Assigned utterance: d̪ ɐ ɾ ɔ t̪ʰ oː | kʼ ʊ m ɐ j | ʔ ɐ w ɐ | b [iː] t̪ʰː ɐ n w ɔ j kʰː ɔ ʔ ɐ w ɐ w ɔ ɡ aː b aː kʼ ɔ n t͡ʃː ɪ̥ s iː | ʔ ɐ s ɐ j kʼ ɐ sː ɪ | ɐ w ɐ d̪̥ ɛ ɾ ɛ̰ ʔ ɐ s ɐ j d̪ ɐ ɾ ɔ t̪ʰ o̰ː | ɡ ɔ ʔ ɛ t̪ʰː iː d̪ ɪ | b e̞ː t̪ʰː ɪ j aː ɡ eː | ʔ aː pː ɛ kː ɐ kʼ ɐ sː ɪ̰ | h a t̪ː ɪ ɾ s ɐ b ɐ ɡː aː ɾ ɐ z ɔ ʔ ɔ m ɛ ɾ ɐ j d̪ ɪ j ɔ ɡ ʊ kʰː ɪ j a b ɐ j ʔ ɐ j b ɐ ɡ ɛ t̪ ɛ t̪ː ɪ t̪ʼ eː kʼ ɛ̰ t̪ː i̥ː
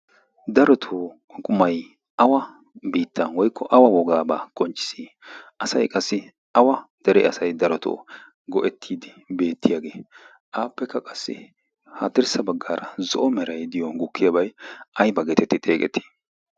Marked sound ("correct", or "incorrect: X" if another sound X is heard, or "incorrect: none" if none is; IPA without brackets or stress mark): correct